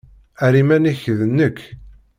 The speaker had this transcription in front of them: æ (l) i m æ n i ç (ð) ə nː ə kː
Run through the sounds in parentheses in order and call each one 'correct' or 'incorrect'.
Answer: incorrect, correct

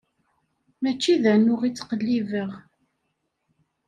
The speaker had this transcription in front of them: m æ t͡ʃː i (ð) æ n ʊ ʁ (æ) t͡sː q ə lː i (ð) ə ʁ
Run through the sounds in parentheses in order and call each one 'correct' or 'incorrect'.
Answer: correct, incorrect, incorrect

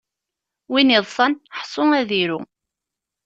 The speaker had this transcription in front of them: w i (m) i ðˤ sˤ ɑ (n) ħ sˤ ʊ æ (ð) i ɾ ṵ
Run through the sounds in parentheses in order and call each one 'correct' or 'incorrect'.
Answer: incorrect, correct, correct

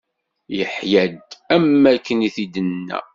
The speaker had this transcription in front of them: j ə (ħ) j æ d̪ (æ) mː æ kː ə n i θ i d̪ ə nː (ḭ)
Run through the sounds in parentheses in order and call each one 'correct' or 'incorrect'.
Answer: correct, correct, incorrect

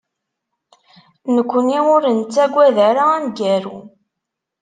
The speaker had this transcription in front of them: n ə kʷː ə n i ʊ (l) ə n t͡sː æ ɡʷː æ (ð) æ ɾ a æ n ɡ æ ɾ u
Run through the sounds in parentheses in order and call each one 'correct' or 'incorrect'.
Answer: incorrect, correct

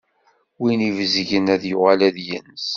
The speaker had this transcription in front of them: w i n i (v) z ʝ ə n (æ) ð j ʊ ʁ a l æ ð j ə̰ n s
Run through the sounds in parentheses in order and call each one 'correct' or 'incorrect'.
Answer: correct, correct

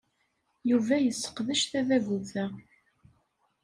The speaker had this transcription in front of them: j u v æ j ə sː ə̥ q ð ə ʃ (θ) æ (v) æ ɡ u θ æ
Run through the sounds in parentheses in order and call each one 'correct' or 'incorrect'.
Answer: correct, incorrect

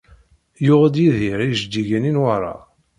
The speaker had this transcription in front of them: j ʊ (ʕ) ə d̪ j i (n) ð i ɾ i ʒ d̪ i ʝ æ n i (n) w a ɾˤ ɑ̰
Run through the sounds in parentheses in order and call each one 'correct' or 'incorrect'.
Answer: incorrect, incorrect, correct

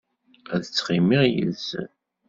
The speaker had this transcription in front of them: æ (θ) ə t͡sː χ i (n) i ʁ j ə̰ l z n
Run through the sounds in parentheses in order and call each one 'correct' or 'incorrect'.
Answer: incorrect, incorrect

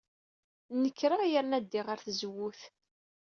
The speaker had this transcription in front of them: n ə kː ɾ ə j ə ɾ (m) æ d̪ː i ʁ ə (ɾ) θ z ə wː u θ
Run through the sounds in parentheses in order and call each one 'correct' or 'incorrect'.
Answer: incorrect, correct

